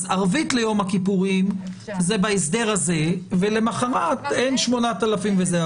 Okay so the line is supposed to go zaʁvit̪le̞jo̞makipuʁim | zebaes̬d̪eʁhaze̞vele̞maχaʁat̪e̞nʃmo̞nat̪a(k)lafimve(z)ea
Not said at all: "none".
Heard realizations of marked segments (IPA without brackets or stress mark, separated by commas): none, z